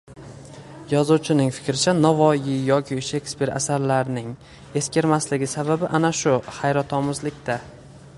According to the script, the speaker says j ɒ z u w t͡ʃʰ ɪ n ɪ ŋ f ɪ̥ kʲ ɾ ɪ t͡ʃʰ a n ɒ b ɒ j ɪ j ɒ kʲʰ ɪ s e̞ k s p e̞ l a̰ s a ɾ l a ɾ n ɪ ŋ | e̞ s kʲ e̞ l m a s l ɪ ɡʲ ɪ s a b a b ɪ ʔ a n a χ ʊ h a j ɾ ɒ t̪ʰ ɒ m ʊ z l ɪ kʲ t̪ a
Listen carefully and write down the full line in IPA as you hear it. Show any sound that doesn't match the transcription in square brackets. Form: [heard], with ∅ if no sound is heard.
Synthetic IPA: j ɒ z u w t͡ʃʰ ɪ n ɪ ŋ f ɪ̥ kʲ ɾ ɪ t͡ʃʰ a n ɒ [v] ɒ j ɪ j ɒ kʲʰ ɪ [ʃ] e̞ k s p e̞ [ɾ] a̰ s a ɾ l a ɾ n ɪ ŋ | e̞ s kʲ e̞ [ɾ] m a s l ɪ ɡʲ ɪ s a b a b ɪ ʔ a n a [ʃ] ʊ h a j ɾ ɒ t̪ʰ ɒ m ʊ z l ɪ kʲ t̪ a